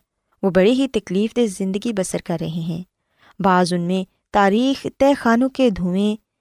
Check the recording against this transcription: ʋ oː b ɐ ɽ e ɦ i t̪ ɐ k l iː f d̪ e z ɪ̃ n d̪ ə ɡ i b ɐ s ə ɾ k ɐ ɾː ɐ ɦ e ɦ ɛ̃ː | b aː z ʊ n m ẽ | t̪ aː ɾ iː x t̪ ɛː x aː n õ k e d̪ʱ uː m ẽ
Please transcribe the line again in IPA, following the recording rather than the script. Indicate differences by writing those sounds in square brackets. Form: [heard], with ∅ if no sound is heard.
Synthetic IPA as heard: ʋ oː b ɐ ɽ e ɦ i t̪ ɐ k l iː f d̪ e z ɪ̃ n d̪ ə ɡ i b ɐ s ə ɾ k ɐ ɾː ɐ ɦ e ɦ ɛ̃ː | b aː z ʊ n m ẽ | t̪ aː ɾ iː x t̪ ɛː x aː n õ k e d̪ʱ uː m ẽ